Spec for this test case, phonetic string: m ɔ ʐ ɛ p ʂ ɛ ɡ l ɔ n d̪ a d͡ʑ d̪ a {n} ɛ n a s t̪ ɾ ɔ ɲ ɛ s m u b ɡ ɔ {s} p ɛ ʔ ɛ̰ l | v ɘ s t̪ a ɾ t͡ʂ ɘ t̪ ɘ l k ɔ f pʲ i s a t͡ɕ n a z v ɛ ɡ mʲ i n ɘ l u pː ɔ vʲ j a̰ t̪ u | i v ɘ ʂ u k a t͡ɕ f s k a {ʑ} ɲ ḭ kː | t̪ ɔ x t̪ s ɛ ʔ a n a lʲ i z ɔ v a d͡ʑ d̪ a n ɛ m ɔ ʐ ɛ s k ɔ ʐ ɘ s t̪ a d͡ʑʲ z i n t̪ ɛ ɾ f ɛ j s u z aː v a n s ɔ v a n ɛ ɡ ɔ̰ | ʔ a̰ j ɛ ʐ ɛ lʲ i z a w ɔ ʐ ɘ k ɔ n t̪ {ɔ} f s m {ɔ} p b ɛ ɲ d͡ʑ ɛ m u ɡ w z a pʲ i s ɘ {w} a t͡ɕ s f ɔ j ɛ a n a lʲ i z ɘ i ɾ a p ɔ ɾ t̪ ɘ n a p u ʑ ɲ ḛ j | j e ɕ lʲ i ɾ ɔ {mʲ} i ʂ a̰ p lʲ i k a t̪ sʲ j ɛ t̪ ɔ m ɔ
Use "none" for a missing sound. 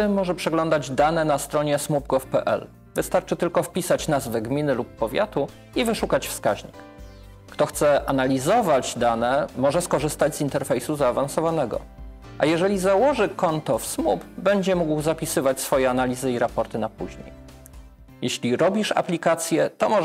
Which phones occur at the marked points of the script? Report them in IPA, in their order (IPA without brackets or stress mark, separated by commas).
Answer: n, f, ʑ, ɔ, u, v, bʲ